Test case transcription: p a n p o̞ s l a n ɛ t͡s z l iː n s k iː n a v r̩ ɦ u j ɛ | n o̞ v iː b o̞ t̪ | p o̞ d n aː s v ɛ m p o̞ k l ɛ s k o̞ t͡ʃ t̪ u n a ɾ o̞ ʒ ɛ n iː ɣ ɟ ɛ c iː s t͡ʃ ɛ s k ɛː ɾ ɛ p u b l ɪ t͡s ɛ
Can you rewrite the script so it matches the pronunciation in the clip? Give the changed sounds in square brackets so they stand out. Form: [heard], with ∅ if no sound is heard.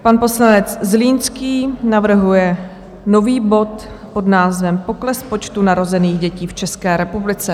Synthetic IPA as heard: p a n p o̞ s l a n ɛ t͡s z l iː n s k iː n a v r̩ ɦ u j ɛ | n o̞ v iː b o̞ t̪ | p o̞ d n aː [z] v ɛ m p o̞ k l ɛ s [p] o̞ t͡ʃ t̪ u n a ɾ o̞ [z] ɛ n iː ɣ ɟ ɛ c iː [f] t͡ʃ ɛ s k ɛː ɾ ɛ p u b l ɪ t͡s ɛ